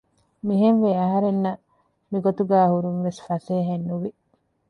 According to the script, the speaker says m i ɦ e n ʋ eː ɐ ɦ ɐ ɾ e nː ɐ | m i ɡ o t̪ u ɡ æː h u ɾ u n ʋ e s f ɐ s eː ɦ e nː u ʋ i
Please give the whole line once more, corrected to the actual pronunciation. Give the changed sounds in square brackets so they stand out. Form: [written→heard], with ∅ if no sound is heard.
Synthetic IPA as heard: m i ɦ e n ʋ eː ɐ ɦ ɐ ɾ e nː ɐ | m i ɡ o t̪ u ɡ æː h u ɾ u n ʋ e s f ɐ s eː ɦ e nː u ʋ i